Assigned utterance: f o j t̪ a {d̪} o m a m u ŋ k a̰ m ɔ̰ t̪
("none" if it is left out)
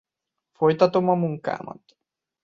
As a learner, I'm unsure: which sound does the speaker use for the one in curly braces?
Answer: t̪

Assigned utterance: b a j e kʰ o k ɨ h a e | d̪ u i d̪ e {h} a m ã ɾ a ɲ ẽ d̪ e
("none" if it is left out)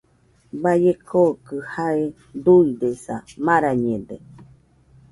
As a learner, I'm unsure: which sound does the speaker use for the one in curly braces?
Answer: s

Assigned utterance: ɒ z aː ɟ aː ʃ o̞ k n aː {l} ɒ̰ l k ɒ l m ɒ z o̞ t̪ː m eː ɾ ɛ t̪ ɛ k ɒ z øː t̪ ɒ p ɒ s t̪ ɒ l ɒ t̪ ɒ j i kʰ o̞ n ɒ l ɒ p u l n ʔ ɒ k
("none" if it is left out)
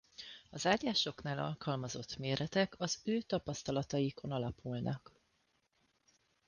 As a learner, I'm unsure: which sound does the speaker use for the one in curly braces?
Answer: l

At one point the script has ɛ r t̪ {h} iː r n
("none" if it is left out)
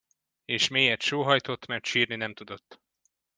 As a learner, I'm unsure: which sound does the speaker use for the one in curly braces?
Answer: ʃ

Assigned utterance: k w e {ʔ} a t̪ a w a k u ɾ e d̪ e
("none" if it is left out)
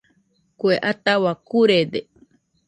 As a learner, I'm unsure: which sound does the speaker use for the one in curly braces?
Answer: ʔ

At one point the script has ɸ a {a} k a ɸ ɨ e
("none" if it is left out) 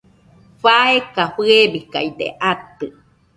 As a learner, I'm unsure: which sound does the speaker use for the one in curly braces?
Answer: e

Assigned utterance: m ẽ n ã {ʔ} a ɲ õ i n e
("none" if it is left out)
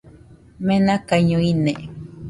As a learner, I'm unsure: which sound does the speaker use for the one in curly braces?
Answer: k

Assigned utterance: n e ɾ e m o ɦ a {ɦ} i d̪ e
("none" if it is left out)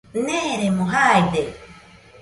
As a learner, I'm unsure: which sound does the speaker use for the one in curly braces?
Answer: none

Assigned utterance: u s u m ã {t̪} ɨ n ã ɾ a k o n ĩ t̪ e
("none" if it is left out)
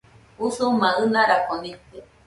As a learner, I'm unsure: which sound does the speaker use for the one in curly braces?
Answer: none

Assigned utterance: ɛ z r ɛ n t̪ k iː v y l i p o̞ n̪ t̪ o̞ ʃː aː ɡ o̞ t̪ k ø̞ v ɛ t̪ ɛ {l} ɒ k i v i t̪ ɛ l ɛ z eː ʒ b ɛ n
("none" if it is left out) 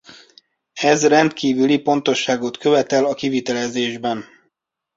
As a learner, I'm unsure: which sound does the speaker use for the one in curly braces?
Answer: l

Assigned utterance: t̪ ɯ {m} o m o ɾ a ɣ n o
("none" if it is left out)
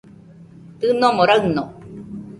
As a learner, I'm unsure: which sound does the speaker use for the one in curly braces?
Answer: n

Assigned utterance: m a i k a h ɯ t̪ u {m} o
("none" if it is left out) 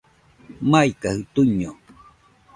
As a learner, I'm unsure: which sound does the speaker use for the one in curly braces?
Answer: ɲ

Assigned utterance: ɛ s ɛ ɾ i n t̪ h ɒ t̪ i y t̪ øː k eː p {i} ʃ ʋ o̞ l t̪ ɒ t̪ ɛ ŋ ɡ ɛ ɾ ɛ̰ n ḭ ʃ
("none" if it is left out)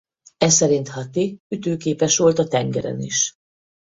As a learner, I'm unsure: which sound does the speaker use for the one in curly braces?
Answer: ɛ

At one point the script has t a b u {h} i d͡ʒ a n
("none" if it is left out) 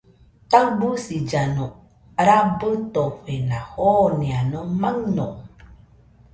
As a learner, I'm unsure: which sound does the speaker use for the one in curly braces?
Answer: s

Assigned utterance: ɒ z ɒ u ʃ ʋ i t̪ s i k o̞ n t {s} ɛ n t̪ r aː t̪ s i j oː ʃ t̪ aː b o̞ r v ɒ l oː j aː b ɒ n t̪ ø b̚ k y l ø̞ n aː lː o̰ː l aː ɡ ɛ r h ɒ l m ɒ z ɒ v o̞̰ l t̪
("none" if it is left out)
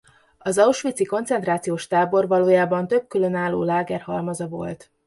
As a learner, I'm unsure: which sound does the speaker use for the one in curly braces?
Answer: s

